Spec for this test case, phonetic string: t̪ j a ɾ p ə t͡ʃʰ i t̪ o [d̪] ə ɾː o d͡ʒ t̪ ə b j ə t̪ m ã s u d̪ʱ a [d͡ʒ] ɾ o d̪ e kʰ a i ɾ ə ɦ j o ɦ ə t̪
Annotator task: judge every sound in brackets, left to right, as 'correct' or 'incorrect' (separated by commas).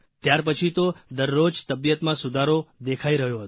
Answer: correct, incorrect